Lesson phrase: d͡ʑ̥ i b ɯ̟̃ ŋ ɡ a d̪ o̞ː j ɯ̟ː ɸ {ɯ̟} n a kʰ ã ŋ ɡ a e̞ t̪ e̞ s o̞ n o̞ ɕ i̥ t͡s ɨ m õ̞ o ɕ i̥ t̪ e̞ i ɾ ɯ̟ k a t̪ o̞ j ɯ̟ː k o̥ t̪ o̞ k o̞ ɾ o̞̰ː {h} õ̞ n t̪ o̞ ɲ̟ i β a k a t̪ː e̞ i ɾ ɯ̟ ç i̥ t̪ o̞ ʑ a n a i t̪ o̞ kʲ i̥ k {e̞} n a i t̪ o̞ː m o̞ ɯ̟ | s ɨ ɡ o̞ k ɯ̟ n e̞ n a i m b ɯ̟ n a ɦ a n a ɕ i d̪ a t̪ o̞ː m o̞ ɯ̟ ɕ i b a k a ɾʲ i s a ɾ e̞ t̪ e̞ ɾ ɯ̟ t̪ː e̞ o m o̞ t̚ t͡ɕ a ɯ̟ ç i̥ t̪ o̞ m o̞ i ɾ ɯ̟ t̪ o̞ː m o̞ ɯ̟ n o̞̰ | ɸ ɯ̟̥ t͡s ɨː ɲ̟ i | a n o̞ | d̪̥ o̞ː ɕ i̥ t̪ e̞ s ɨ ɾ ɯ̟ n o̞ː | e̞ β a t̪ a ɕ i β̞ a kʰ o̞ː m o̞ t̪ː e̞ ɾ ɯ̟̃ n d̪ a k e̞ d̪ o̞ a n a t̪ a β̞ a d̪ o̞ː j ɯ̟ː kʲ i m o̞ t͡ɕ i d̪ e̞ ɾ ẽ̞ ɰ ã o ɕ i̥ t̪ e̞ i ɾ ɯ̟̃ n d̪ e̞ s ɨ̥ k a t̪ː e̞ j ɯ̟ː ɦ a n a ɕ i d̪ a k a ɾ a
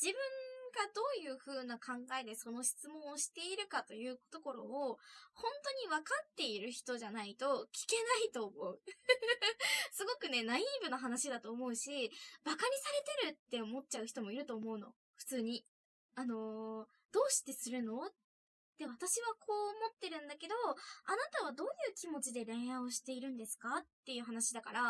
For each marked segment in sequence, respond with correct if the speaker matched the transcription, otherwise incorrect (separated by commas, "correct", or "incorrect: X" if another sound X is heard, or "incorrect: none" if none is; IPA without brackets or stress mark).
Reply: incorrect: ɯ̟ː, correct, correct